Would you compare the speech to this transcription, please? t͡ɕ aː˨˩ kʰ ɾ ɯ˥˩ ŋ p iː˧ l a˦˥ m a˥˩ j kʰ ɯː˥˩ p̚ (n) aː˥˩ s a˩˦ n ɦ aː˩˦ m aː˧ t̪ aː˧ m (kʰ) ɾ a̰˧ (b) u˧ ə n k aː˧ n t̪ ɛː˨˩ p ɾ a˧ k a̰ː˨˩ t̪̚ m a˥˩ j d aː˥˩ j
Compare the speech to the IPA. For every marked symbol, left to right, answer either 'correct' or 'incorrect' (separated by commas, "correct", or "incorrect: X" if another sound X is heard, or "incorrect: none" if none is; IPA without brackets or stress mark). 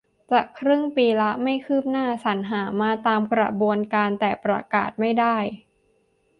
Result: correct, incorrect: k, correct